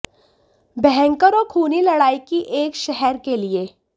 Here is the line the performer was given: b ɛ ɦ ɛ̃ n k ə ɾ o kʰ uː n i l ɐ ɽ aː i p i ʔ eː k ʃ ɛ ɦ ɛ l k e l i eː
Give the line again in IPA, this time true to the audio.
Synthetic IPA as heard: b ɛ ɦ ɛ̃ ŋ k ə ɾ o kʰ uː n i l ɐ ɽ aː i k i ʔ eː k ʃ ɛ ɦ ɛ ɾ k e l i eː